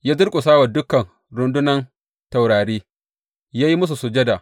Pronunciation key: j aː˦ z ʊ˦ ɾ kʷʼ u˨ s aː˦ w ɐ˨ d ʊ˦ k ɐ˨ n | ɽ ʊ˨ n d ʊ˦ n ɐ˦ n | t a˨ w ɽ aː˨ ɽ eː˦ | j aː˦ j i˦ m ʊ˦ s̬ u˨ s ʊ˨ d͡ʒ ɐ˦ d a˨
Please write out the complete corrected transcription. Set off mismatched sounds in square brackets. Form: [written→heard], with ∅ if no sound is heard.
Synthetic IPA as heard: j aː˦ z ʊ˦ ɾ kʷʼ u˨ s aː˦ w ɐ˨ d ʊ˦ k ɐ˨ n | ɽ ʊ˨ n d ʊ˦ n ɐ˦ n | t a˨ w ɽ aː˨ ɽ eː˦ | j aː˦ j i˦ m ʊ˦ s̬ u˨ s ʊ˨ d͡ʒ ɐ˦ d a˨

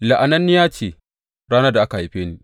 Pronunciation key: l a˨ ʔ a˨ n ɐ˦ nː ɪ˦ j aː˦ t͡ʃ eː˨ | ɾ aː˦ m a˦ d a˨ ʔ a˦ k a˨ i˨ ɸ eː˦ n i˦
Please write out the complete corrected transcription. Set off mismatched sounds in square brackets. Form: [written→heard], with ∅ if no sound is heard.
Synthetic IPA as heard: l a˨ ʔ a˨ n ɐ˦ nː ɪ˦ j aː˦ t͡ʃ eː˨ | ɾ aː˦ [m→n] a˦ d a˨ ʔ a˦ k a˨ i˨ ɸ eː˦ n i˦

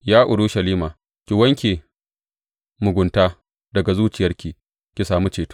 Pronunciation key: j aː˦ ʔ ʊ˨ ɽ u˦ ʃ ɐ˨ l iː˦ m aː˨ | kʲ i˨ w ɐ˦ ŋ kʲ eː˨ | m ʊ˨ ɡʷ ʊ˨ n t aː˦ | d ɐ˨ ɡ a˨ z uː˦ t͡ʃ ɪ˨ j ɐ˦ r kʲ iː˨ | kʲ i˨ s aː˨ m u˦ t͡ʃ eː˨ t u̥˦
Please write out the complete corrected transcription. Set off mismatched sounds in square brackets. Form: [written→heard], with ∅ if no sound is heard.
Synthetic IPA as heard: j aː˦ ʔ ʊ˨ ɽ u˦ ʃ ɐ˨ l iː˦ m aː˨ | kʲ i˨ w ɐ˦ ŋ kʲ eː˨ | m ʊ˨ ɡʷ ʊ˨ n t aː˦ | d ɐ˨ ɡ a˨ z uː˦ t͡ʃ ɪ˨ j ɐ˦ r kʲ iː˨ | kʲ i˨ s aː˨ m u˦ t͡ʃ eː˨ t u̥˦

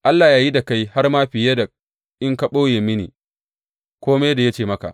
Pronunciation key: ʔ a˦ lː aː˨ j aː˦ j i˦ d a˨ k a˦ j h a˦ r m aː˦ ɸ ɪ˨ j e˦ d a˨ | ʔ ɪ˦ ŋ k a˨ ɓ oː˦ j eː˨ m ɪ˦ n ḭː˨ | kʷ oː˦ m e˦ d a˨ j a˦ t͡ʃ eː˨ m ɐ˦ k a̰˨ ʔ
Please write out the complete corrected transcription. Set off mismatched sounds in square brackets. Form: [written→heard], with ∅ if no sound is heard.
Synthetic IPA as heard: ʔ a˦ lː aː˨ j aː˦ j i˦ d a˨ k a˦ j h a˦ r m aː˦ ɸ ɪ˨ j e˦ d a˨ | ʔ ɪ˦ ŋ k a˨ ɓ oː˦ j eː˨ m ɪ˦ n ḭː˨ | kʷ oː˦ m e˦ d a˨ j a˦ t͡ʃ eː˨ m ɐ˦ k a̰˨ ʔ

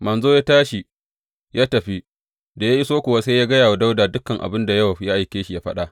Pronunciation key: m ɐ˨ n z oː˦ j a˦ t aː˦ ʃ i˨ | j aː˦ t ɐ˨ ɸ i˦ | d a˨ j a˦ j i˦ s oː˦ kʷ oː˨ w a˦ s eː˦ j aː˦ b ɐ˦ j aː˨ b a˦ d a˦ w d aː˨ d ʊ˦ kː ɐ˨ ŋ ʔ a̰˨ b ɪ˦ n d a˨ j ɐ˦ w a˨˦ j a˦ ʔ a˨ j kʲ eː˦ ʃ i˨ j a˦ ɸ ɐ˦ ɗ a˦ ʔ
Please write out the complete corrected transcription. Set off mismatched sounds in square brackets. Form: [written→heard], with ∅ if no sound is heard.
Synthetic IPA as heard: m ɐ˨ n z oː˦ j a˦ t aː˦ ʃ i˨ | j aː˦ t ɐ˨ ɸ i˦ | d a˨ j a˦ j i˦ s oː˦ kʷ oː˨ w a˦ s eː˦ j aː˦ [b→ɡ] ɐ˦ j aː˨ [b→w] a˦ d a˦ w d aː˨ d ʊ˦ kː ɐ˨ ŋ ʔ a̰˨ b ɪ˦ n d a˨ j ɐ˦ w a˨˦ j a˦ ʔ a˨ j kʲ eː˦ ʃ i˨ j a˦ ɸ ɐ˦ ɗ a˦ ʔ

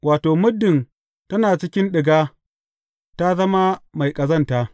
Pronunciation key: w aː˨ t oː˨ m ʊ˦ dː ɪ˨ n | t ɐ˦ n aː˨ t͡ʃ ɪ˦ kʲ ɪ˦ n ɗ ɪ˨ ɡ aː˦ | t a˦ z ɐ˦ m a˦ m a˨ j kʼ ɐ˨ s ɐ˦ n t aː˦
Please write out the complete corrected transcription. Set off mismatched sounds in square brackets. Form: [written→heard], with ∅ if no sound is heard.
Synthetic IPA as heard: w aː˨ t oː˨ m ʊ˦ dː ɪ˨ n | t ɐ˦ n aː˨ t͡ʃ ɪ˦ kʲ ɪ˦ n ɗ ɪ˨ ɡ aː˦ | t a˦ z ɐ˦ m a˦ m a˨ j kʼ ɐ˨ [s→z] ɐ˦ n t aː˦

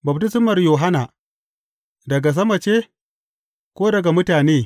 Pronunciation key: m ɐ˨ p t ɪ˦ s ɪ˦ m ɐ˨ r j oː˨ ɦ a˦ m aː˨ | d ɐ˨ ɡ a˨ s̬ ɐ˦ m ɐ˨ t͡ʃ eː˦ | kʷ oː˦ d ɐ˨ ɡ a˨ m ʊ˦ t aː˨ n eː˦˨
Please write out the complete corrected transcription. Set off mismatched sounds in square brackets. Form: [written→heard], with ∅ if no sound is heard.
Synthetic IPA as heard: [m→b] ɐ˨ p t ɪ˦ s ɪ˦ m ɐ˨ r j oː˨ ɦ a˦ [m→n] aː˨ | d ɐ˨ ɡ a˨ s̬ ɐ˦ m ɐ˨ t͡ʃ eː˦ | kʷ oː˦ d ɐ˨ ɡ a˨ m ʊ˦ t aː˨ n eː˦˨

